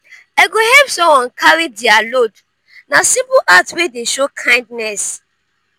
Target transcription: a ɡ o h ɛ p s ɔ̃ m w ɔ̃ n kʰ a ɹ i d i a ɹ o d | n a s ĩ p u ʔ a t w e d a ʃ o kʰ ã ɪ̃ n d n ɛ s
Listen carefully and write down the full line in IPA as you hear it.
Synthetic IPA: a ɡ o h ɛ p s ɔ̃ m w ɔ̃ n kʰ a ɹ i d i a l o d | n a s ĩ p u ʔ a t w e d e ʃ o kʰ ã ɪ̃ n d n ɛ s